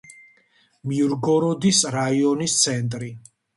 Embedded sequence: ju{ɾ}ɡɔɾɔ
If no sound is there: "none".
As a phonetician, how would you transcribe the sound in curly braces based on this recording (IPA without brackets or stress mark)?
ɾ